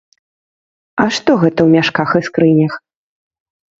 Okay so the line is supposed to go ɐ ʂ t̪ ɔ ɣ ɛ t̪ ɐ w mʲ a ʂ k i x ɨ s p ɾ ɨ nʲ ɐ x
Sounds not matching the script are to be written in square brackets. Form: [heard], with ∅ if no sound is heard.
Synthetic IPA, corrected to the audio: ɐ ʂ t̪ ɔ ɣ ɛ t̪ ɐ w mʲ a ʂ k [a] x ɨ s [k] ɾ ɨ nʲ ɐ x